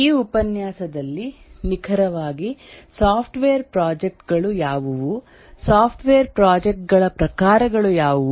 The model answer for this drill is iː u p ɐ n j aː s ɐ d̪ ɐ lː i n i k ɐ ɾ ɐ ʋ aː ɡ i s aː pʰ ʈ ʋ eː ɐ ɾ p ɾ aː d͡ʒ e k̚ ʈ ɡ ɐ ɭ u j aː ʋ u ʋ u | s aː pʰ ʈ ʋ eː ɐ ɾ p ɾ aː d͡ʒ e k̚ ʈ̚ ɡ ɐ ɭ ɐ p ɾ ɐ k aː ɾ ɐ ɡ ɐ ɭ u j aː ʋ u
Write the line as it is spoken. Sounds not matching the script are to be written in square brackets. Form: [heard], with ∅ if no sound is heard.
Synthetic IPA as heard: iː u p ɐ n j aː s ɐ d̪ ɐ lː i n i [kʰ] ɐ ɾ ɐ ʋ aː ɡ i s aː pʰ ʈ ʋ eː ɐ ɾ p ɾ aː d͡ʒ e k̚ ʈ ɡ ɐ ɭ u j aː ʋ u ʋ u | s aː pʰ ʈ ʋ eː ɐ ɾ p ɾ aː d͡ʒ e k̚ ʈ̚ ɡ ɐ ɭ ɐ p ɾ ɐ k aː ɾ ɐ ɡ ɐ ɭ u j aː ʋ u

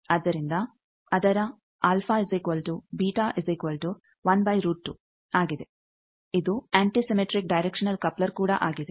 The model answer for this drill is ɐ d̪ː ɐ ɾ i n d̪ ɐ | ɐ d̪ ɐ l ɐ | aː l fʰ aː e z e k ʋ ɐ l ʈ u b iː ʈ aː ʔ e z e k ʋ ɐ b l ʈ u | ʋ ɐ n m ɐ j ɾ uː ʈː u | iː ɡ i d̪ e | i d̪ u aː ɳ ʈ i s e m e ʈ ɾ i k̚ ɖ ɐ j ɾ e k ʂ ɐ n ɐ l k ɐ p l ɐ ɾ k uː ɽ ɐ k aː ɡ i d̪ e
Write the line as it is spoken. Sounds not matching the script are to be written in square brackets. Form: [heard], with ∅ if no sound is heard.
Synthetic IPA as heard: ɐ d̪ː ɐ ɾ i n d̪ ɐ | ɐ d̪ ɐ [ɾ] ɐ | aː l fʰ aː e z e k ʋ ɐ l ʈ u b iː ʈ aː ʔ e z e k ʋ ɐ [∅] l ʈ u | ʋ ɐ n [b] ɐ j ɾ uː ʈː u | [aː] ɡ i d̪ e | i d̪ u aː ɳ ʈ i s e m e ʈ ɾ i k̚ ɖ ɐ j ɾ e k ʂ ɐ n ɐ l k ɐ p l ɐ ɾ k uː ɽ ɐ [ʔ] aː ɡ i d̪ e

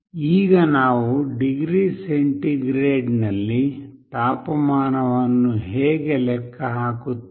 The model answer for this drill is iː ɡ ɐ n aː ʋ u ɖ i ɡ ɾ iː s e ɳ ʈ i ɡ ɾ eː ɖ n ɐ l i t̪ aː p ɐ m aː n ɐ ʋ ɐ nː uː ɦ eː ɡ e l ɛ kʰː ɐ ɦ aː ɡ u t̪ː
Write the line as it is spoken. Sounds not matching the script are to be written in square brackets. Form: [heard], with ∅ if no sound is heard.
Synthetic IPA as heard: iː ɡ ɐ n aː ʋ u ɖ i ɡ ɾ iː s e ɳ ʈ i ɡ ɾ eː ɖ n ɐ [lː] i t̪ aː p ɐ m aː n ɐ ʋ ɐ nː [u] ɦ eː ɡ e l ɛ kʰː ɐ ɦ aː [k] u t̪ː

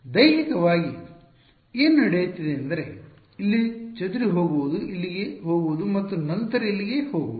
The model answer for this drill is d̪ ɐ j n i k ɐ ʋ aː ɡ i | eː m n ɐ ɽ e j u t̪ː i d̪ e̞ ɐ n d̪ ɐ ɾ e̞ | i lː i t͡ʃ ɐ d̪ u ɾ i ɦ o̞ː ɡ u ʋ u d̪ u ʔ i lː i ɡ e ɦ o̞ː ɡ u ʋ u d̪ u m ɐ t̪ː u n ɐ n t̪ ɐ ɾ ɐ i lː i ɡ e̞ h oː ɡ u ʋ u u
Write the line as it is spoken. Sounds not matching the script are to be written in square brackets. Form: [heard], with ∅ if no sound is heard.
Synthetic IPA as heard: d̪ ɐ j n i k ɐ ʋ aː ɡ i | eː [n] n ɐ ɽ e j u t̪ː i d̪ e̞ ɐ n d̪ ɐ ɾ e̞ | i lː i t͡ʃ ɐ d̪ u ɾ i ɦ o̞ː ɡ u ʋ u d̪ u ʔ i lː i ɡ e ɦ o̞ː ɡ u ʋ u d̪ u m ɐ t̪ː u n ɐ n t̪ ɐ ɾ ɐ i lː i ɡ e̞ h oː ɡ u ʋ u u

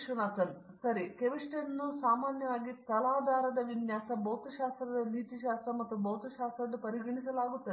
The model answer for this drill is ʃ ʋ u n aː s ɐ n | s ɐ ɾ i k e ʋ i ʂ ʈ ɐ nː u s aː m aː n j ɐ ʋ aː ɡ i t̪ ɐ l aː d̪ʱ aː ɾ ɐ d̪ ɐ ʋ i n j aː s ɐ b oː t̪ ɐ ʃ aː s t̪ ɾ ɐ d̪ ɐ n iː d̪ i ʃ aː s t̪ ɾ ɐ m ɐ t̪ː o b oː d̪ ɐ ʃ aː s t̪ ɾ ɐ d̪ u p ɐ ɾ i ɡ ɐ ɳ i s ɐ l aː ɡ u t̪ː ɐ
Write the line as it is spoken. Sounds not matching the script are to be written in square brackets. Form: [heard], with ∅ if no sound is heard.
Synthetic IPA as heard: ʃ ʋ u n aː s ɐ n | s ɐ ɾ i k e ʋ i ʂ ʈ ɐ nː u s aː m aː n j ɐ ʋ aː ɡ i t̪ ɐ l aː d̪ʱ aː ɾ ɐ d̪ ɐ ʋ i n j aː s ɐ b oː t̪ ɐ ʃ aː s t̪ ɾ ɐ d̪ ɐ n iː [t̪] i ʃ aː s t̪ ɾ ɐ m ɐ t̪ː [u] b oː [t̪] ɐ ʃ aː s t̪ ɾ ɐ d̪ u p ɐ ɾ i ɡ ɐ ɳ i s ɐ l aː ɡ u t̪ː ɐ

